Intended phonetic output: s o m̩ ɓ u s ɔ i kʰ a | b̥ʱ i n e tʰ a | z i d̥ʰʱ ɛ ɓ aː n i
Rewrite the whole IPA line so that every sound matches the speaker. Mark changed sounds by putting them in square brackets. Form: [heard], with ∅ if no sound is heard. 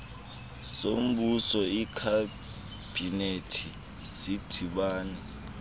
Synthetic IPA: s o m̩ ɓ u s ɔ i kʰ a | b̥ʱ i n e tʰ [i] | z i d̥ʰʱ [i] ɓ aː n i